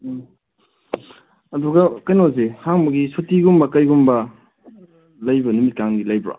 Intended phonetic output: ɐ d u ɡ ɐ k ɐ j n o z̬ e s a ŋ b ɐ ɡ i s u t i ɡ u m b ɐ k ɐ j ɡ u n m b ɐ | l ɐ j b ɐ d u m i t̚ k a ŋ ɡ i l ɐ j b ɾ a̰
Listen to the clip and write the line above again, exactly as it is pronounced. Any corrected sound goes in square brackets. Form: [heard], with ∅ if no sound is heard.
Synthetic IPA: ɐ d u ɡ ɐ k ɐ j n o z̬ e [h] a ŋ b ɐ ɡ i s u t i ɡ u m b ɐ k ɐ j ɡ u [∅] m b ɐ | l ɐ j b ɐ [n] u m i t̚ k a ŋ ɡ i l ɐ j b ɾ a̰

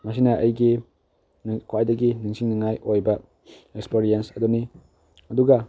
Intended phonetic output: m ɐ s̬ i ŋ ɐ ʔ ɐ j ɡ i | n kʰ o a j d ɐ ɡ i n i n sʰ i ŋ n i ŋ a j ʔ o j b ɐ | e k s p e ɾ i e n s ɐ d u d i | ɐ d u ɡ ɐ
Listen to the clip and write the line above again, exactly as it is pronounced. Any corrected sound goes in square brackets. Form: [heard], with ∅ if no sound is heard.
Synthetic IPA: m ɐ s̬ i [n] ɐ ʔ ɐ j ɡ i | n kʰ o a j d ɐ ɡ i n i [ŋ] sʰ i ŋ n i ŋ a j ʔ o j b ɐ | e k s p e ɾ i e n s ɐ d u [n] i | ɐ d u ɡ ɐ

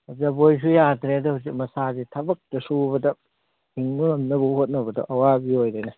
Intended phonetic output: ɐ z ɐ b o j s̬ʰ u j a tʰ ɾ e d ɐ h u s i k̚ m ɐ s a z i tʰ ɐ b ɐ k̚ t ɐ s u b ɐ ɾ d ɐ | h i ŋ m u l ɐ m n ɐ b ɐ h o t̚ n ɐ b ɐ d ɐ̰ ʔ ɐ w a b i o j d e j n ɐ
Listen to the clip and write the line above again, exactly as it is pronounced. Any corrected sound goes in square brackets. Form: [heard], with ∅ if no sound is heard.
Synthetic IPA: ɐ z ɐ b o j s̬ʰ u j a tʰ ɾ e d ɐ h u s i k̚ m ɐ s a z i tʰ ɐ b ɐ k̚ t ɐ s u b ɐ [∅] d ɐ | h i ŋ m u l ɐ m n ɐ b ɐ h o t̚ n ɐ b ɐ d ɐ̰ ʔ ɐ w a b i o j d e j n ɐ

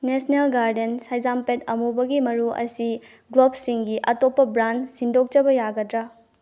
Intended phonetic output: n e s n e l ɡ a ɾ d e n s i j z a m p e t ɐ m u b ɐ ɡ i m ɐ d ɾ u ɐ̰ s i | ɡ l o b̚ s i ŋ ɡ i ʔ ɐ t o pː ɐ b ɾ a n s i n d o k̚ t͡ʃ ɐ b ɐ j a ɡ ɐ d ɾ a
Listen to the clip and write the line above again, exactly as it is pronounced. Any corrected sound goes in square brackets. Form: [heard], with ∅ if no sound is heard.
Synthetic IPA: n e s n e l ɡ a ɾ d e n s [a] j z a m p e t ɐ m u b ɐ ɡ i m ɐ [∅] ɾ u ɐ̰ s i | ɡ l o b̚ s i ŋ ɡ i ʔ ɐ t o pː ɐ b ɾ a n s i n d o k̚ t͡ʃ ɐ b ɐ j a ɡ ɐ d ɾ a

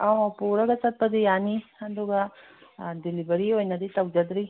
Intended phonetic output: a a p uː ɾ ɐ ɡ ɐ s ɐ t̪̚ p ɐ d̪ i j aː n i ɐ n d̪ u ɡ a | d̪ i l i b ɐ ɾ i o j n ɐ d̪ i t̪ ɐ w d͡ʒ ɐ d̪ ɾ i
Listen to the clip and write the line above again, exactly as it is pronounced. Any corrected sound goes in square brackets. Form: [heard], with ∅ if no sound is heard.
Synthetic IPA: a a p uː ɾ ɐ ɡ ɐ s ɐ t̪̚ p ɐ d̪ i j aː n i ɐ n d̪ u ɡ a | d̪ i l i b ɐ ɾ i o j n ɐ d̪ i t̪ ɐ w d͡ʒ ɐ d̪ ɾ i

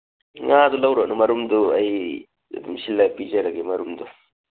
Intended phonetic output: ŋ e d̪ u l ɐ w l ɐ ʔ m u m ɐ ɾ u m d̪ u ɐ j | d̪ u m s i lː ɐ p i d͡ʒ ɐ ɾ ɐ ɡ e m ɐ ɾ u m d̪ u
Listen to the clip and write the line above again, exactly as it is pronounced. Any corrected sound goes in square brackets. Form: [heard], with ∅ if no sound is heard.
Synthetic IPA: ŋ [a] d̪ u l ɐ w [ɾ] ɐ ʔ [n] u m ɐ ɾ u m d̪ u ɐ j | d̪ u m s i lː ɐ p i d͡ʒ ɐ ɾ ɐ ɡ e m ɐ ɾ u m d̪ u

